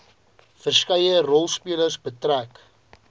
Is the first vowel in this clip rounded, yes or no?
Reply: no